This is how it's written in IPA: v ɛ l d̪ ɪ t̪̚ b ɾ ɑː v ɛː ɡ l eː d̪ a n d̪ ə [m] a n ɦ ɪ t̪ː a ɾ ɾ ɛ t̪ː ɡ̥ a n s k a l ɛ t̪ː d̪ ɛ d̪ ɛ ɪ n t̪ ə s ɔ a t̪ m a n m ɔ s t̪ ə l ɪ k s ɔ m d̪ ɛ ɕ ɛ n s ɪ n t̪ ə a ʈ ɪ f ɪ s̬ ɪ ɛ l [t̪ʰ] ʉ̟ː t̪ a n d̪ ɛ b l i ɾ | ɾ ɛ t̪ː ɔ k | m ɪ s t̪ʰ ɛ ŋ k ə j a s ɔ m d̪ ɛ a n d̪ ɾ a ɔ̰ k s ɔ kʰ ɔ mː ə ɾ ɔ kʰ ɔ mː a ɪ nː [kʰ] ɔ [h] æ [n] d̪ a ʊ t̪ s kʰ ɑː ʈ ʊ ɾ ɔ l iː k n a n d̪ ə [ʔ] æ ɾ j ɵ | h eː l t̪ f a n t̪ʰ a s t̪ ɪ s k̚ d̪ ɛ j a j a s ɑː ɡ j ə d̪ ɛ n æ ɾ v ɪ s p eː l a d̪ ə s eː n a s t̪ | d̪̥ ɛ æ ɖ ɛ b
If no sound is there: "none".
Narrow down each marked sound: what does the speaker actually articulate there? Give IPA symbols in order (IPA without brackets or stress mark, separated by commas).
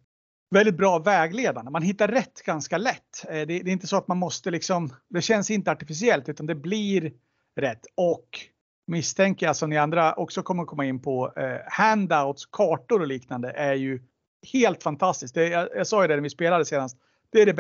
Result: m, t̪, pʰ, h, n, ʔ